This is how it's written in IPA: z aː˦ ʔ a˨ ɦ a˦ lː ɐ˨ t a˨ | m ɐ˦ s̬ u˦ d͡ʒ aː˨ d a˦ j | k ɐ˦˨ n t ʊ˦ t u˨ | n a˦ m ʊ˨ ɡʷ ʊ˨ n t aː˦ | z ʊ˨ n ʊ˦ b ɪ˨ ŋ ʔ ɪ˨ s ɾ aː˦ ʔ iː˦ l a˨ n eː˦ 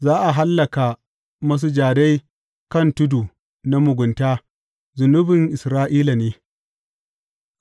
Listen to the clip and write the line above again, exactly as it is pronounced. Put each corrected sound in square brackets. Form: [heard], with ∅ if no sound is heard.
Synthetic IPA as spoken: z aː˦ ʔ a˨ ɦ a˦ lː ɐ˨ [k] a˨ | m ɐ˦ s̬ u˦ d͡ʒ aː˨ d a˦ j | k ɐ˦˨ n t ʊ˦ [d] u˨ | n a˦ m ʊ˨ ɡʷ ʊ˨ n t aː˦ | z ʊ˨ n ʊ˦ b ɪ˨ ŋ ʔ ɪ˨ s ɾ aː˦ ʔ iː˦ l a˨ n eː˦